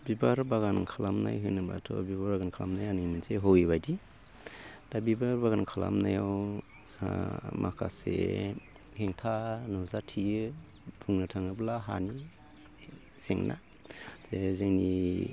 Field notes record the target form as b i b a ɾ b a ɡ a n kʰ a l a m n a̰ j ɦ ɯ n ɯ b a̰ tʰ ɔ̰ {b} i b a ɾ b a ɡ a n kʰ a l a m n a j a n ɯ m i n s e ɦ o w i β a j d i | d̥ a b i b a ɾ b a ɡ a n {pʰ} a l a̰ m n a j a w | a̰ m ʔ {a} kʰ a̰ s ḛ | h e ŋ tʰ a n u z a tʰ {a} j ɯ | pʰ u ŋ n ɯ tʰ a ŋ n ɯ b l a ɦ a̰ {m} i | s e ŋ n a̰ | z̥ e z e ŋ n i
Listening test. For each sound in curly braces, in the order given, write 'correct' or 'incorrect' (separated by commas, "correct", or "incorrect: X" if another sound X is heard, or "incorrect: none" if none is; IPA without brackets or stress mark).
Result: correct, incorrect: kʰ, correct, incorrect: i, incorrect: n